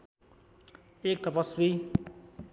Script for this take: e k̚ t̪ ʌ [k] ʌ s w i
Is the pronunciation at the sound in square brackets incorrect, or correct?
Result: incorrect